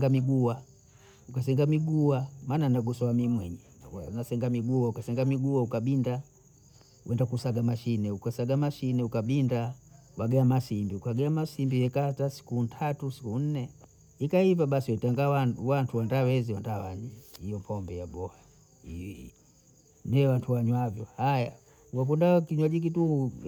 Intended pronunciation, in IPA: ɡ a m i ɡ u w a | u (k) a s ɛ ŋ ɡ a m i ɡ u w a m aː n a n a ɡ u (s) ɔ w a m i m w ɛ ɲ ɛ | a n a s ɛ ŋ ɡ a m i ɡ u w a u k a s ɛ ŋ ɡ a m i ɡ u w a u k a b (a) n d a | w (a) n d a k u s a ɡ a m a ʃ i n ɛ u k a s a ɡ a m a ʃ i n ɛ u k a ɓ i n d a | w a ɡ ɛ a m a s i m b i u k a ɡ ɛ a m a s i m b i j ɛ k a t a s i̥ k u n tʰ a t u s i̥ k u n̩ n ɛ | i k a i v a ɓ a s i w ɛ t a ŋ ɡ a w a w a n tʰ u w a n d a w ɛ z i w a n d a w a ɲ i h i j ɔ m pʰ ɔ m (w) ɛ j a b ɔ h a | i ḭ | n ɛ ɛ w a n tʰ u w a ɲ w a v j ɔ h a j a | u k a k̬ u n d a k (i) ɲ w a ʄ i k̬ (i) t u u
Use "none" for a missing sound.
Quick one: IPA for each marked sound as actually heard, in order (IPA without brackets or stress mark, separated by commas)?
k, s, i, ɛ, b, i, i